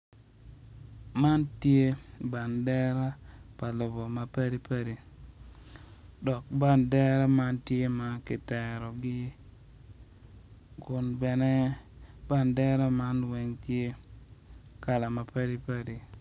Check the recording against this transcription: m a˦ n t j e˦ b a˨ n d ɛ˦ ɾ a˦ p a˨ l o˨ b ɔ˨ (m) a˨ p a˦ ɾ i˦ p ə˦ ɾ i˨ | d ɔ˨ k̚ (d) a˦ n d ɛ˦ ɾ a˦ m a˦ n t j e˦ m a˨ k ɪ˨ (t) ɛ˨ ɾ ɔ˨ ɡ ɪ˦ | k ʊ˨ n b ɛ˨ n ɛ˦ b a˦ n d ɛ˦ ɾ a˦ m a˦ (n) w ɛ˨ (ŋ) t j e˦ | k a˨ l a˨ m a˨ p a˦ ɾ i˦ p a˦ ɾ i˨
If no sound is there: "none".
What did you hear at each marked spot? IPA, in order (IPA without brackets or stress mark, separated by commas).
m, b, t, n, ŋ